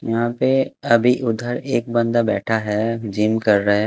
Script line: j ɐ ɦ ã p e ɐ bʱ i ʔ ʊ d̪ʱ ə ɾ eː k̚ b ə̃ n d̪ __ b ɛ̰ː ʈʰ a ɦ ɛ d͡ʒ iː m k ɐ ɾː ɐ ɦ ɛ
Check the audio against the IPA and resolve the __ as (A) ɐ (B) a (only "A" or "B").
B